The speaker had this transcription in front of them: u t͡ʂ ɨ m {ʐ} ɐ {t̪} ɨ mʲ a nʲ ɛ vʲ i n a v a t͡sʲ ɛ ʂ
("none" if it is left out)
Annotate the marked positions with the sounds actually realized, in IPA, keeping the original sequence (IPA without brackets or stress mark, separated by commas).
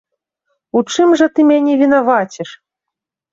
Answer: ʐ, t̪